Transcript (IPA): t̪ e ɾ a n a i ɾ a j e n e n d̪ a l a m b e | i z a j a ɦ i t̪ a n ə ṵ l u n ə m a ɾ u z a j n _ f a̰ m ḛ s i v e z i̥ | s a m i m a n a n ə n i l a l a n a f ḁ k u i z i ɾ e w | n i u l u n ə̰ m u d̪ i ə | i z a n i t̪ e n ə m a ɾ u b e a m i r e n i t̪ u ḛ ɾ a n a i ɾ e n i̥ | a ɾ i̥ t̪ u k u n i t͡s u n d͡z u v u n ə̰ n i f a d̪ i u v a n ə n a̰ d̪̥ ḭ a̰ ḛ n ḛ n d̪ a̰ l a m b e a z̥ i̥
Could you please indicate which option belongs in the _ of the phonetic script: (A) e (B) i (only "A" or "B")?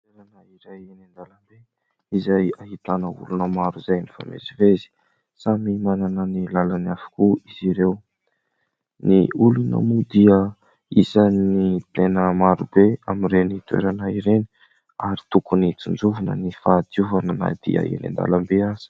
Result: B